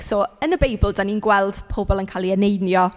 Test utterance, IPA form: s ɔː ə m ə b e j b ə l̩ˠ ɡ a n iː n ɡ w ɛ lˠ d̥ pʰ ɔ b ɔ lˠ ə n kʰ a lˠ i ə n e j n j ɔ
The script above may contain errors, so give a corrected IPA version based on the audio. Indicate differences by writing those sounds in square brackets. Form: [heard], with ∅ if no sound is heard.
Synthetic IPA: s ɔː ə [n] ə b e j b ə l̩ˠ [d] a n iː n ɡ w ɛ lˠ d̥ pʰ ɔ b ɔ lˠ ə n kʰ a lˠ i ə n e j n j ɔ